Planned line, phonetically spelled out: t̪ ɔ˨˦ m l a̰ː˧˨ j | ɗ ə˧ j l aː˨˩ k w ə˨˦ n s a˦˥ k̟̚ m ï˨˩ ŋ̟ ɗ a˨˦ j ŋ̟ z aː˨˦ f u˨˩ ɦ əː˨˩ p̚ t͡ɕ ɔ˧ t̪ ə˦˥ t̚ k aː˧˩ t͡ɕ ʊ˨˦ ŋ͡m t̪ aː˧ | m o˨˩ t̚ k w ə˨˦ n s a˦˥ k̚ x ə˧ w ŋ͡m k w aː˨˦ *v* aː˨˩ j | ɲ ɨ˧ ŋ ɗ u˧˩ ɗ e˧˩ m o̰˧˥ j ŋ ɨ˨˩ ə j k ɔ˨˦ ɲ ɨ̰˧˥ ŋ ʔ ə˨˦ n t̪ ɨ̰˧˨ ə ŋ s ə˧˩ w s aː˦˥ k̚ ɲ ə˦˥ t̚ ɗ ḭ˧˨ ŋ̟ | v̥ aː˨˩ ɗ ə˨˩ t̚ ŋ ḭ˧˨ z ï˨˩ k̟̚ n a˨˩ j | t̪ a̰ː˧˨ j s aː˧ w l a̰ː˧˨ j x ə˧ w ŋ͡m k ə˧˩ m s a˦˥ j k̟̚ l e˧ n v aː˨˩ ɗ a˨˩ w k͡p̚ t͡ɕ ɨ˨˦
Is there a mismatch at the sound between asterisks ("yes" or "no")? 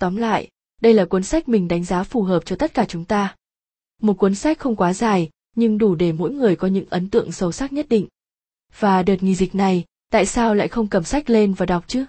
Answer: yes